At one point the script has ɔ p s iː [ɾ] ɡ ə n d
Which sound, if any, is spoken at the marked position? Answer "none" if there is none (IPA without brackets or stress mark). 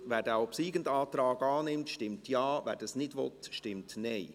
none